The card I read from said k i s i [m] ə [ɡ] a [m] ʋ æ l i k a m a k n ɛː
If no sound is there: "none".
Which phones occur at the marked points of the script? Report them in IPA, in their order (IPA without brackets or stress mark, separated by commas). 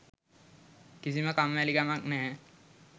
m, k, m